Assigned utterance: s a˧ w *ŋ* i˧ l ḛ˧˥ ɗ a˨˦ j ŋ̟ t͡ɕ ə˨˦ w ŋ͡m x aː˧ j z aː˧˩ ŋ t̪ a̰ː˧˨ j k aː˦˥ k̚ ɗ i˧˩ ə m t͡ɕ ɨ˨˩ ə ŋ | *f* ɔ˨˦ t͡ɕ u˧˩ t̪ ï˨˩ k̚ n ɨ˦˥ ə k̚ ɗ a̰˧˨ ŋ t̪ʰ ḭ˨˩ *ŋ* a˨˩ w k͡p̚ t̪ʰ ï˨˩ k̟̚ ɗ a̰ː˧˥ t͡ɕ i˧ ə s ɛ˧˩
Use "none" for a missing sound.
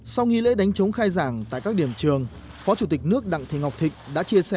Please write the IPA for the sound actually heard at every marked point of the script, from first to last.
ŋ, f, ŋ

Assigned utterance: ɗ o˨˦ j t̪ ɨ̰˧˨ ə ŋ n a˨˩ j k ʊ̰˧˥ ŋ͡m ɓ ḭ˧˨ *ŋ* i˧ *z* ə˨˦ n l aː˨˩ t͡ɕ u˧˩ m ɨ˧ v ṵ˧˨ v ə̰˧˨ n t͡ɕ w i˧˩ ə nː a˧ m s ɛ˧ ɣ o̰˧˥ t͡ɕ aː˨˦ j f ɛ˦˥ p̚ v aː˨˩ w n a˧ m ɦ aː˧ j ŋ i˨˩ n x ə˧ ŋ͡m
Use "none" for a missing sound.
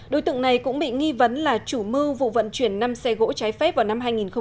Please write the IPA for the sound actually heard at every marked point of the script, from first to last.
ŋ, v

